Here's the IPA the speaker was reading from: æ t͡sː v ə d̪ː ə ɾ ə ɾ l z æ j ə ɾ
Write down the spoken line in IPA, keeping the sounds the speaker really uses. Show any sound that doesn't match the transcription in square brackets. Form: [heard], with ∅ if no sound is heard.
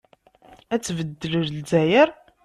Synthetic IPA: æ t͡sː v ə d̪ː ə [l] ə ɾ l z æ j ə ɾ